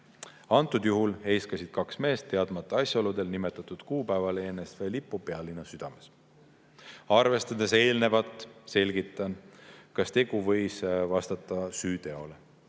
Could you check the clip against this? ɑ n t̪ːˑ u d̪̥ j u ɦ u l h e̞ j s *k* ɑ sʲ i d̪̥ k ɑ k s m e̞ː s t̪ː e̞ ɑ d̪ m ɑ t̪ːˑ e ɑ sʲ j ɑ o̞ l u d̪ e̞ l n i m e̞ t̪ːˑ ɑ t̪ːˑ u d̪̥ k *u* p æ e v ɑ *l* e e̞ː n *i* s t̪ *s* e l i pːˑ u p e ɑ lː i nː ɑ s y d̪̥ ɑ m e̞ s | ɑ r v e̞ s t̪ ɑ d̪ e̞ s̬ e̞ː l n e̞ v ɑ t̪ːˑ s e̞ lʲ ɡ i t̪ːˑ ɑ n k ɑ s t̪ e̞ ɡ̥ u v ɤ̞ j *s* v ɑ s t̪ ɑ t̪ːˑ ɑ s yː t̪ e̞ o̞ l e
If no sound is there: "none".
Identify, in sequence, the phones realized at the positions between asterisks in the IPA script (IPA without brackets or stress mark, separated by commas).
k, uː, l, e, f, s